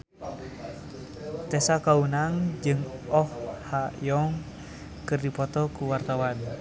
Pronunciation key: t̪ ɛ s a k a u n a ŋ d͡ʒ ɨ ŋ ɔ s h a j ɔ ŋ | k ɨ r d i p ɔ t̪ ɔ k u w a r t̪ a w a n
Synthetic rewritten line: t̪ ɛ s a k a u n a ŋ d͡ʒ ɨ ŋ ɔ h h a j ɔ ŋ | k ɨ r d i p ɔ t̪ ɔ k u w a r t̪ a w a n